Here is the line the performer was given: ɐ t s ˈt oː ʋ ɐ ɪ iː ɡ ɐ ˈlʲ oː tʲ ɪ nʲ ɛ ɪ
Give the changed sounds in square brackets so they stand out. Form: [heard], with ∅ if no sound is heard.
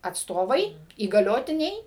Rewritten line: ɐ t s ˈt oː ʋ ɐ ɪ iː ɡ ɐ ˈlʲ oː tʲ ɪ nʲ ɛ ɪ